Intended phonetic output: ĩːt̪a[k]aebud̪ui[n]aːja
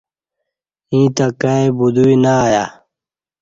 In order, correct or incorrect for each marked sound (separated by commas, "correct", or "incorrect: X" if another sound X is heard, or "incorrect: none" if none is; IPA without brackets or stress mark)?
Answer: correct, correct